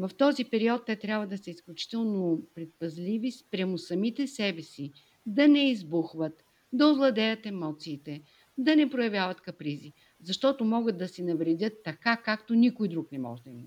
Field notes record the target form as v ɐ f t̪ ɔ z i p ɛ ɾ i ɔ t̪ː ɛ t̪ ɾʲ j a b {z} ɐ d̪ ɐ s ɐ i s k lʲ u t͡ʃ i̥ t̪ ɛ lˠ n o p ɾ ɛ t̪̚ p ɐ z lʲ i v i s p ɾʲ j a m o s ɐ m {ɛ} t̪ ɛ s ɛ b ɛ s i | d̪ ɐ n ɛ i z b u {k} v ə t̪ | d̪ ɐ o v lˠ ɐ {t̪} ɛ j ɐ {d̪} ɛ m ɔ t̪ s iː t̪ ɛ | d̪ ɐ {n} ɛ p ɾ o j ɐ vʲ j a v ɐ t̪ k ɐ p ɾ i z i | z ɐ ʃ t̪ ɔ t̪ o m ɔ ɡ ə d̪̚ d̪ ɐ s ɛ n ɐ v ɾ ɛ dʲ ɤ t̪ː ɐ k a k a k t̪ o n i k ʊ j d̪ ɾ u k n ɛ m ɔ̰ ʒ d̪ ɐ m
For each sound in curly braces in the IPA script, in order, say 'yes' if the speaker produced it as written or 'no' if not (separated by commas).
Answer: no, no, no, no, no, yes